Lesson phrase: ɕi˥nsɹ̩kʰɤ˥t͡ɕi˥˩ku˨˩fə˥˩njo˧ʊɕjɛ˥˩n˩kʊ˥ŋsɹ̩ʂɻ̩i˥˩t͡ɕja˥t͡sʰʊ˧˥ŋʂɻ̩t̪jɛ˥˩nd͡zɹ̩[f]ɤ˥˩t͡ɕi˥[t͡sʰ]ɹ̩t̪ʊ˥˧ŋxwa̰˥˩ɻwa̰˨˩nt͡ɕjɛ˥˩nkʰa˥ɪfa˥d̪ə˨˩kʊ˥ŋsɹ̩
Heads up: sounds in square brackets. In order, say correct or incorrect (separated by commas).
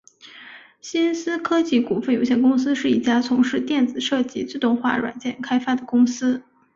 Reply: incorrect, incorrect